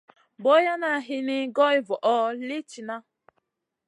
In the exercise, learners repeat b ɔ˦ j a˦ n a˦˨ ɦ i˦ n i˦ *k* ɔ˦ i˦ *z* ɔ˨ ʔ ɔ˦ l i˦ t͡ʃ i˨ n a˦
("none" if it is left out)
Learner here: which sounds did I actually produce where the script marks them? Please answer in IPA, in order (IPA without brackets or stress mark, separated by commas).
ɡ, v